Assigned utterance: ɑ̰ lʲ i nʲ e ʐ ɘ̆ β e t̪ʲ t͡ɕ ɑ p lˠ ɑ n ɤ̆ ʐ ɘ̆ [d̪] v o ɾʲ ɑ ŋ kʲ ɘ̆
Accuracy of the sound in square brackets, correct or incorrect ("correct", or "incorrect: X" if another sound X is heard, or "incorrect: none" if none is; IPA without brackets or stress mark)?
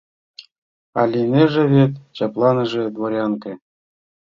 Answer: correct